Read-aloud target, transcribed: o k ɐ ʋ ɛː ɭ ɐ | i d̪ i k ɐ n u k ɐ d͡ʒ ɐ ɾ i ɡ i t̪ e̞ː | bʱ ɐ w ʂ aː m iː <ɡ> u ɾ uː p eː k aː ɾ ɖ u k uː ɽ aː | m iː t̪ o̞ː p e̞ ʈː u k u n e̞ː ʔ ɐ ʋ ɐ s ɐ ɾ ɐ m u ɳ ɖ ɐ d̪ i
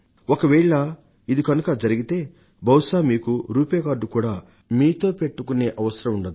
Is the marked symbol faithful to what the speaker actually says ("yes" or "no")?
no